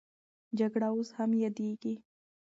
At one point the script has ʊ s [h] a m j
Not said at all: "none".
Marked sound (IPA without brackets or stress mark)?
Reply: h